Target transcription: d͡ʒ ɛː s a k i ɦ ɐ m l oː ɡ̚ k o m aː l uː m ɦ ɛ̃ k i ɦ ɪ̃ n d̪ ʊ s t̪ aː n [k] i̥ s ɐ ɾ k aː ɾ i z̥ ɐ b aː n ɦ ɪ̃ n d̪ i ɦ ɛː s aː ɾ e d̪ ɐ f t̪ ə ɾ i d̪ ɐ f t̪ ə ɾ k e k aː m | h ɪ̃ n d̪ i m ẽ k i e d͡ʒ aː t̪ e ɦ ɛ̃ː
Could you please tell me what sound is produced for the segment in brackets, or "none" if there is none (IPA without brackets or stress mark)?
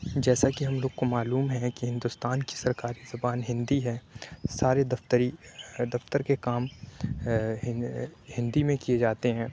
k